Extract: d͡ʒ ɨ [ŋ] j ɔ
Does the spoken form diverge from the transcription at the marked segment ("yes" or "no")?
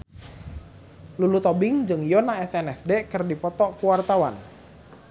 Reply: no